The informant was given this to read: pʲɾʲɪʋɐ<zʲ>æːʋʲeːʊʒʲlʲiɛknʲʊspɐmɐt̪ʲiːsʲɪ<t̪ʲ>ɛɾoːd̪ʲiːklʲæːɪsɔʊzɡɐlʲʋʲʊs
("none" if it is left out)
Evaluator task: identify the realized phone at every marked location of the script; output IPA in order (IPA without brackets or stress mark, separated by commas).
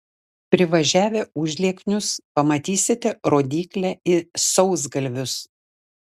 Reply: ʒʲ, t̪ʲ